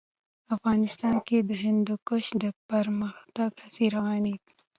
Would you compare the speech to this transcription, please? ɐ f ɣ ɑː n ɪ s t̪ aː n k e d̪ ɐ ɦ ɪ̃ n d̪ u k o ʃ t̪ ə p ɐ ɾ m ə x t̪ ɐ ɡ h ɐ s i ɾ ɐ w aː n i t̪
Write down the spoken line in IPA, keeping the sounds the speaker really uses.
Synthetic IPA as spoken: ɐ f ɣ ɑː n ɪ s t̪ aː n k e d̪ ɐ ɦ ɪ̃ n d̪ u k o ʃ d̪ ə p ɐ ɾ m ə x t̪ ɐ ɡ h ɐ s i ɾ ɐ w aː n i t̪